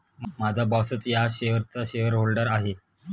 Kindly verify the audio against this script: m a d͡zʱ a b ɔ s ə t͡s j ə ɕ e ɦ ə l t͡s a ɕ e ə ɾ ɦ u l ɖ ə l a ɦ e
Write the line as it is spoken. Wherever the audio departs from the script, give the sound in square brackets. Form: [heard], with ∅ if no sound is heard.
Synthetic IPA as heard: m a d͡zʱ a b ɔ s ə t͡s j [a] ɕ e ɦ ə [ɾ] t͡s a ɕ e ə ɾ ɦ [o] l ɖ ə [ɾ] a ɦ e

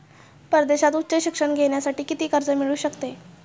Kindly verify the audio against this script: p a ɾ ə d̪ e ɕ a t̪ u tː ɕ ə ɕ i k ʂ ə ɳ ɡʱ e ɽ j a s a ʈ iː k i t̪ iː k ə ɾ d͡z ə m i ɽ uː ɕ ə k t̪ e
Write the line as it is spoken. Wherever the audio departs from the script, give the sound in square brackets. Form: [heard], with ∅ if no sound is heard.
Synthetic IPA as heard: p [ə] ɾ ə d̪ e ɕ a t̪ u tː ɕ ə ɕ i k ʂ ə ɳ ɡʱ e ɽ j a s a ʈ iː k i t̪ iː k ə ɾ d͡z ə m i [ɭ] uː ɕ ə k t̪ e

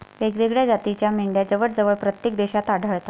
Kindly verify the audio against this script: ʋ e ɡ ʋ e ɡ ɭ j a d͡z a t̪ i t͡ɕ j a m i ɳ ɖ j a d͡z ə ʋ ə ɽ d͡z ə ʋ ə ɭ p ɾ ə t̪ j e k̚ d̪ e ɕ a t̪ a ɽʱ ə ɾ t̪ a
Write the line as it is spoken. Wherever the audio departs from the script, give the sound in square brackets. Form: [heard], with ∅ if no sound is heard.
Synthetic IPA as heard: ʋ e ɡ ʋ e ɡ ɭ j a d͡z a t̪ i t͡ɕ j a m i ɳ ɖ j a d͡z ə ʋ ə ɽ d͡z ə ʋ ə ɭ p ɾ ə t̪ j e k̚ d̪ e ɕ a t̪ a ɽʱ ə [ɭ] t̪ a

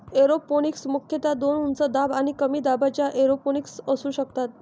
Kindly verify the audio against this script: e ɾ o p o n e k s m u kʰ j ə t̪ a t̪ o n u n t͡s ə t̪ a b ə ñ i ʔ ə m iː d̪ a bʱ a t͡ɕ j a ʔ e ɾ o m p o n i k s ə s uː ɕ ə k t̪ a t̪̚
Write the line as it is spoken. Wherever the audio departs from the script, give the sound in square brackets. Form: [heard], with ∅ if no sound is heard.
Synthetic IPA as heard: e ɾ o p o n [i] k s m u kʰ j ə t̪ a [d̪] o n u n t͡s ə [d̪] a b [a] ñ i [k] ə m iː d̪ a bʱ a t͡ɕ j a ʔ e ɾ o [∅] p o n i k s ə s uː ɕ ə k t̪ a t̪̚

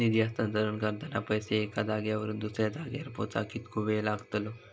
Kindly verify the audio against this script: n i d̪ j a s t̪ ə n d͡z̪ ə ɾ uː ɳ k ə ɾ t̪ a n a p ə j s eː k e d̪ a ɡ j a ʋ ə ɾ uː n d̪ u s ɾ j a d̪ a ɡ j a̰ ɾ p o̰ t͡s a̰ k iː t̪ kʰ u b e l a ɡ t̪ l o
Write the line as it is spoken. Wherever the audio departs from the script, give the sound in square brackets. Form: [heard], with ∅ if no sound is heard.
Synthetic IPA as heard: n i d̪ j a s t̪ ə n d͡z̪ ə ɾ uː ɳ k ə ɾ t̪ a n a p ə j s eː k [a] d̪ a ɡ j a ʋ ə ɾ uː n d̪ u s ɾ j a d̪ a ɡ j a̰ ɾ p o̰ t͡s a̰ k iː t̪ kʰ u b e l a ɡ t̪ l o

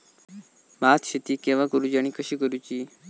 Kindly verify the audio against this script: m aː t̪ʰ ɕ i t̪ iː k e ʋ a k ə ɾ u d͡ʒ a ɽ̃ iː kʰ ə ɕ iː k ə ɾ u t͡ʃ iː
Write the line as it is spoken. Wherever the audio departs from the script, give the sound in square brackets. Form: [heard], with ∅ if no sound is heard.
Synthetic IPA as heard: m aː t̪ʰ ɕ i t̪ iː k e ʋ a k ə ɾ u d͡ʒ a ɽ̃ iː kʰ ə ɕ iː k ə ɾ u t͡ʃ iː

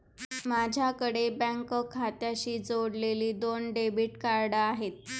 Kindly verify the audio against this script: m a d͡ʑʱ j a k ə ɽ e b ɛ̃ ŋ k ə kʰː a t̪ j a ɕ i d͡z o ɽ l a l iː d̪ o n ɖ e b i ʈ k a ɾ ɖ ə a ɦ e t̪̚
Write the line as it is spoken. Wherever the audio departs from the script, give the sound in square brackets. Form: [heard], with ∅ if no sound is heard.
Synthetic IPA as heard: m a d͡ʑʱ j a k ə ɽ e b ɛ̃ ŋ k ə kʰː a t̪ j a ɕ [iː] d͡z o ɽ l [e] l iː d̪ o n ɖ e b i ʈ k a ɾ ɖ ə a ɦ e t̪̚

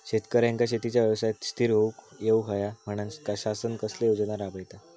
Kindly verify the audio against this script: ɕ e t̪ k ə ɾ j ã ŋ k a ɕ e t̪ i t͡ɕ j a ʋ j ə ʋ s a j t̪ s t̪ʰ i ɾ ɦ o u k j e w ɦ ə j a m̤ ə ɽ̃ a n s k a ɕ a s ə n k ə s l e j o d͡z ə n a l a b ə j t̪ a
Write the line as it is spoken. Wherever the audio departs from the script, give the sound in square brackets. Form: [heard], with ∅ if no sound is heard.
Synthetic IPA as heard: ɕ e t̪ k ə ɾ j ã ŋ k a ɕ e t̪ i t͡ɕ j a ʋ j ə ʋ s a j t̪ s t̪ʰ i ɾ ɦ o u k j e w ɦ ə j a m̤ ə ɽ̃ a n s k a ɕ a s ə n k ə s l e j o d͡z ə n a [ɾ] a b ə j t̪ a

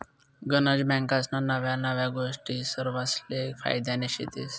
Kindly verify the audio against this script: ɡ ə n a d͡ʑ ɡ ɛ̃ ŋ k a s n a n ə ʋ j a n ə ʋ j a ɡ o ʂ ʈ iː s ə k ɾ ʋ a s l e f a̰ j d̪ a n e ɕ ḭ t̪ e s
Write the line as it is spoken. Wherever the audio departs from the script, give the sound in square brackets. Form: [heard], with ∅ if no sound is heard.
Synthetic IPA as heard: ɡ ə n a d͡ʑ [b] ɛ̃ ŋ k a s n a n ə ʋ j a n ə ʋ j a ɡ o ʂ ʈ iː s ə [∅] ɾ ʋ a s l e f a̰ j d̪ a n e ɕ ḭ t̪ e s

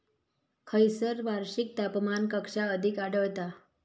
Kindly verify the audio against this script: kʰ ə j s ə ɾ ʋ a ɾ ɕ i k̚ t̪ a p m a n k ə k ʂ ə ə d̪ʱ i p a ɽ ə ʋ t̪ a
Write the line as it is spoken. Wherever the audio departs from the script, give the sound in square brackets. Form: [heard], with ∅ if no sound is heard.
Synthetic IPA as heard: kʰ ə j s ə ɾ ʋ a ɾ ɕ i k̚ t̪ a p m a n k ə k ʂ [a] ə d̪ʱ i [k] a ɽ ə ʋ t̪ a

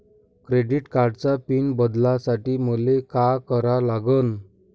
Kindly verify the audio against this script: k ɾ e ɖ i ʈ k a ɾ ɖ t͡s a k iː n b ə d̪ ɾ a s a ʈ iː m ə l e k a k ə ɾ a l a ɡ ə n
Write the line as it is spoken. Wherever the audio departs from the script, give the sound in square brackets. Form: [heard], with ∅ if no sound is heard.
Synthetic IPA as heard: k ɾ e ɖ i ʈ k a ɾ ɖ t͡s a [p] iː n b ə d̪ [l] a s a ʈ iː m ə l e k a k ə ɾ a l a ɡ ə n

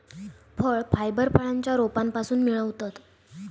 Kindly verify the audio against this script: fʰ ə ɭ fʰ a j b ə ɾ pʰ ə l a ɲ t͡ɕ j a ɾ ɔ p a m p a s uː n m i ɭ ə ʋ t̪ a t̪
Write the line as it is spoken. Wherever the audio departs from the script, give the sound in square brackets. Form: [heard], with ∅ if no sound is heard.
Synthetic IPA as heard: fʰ ə ɭ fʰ a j b ə ɾ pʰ ə [ɭ] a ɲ t͡ɕ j a ɾ [o] p a m p a s uː n m i ɭ ə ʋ t̪ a t̪

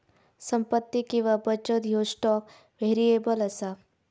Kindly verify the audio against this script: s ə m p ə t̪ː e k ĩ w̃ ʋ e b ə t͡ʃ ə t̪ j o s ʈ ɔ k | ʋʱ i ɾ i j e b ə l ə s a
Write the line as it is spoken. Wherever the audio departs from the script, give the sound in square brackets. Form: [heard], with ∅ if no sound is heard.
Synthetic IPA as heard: s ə m p ə t̪ː [i] k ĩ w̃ ʋ [a] b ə t͡ʃ ə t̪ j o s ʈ ɔ k | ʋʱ [e] ɾ i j e b ə l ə s a

